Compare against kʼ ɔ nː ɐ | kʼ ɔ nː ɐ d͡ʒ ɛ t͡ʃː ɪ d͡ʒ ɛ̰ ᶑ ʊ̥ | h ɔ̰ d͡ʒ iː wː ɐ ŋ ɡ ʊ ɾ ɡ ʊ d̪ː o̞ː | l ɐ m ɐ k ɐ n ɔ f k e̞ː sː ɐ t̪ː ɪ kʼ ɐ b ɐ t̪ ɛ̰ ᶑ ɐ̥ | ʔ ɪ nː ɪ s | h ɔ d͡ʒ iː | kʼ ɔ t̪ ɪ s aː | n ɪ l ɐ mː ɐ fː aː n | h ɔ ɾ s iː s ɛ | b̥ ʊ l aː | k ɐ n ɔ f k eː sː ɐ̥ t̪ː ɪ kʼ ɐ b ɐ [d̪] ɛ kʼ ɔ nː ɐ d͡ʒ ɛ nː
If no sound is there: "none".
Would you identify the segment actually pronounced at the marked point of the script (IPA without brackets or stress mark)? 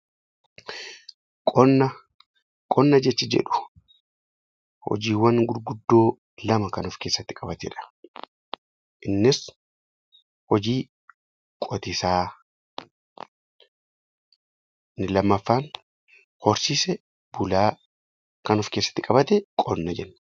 t̪